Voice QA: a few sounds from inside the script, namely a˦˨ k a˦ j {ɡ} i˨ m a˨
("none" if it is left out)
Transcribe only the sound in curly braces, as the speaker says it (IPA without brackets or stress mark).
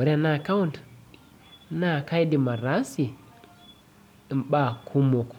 d